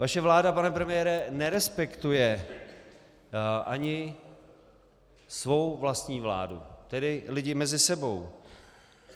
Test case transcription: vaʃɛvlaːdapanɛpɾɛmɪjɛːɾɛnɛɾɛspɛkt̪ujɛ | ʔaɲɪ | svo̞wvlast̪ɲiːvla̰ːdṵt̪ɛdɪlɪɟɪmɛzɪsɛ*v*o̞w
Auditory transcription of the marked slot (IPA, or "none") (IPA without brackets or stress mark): b